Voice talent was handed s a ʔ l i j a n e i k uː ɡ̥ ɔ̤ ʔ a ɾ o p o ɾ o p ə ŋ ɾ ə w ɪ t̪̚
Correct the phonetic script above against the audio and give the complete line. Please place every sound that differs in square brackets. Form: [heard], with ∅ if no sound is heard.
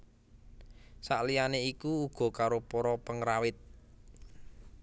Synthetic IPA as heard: s a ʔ l i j a n e i k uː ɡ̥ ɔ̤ [k] a ɾ o p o ɾ [ɔ] p ə ŋ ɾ [a] w ɪ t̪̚